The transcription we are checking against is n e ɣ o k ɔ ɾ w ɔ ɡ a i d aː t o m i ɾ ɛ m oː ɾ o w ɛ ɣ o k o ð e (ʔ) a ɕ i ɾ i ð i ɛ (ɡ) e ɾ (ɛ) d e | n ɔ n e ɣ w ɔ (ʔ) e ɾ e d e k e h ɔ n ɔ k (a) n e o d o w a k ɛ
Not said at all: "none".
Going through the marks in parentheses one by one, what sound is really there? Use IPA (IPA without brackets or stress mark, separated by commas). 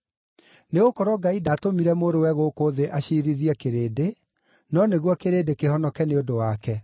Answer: ʔ, k, e, k, ɛ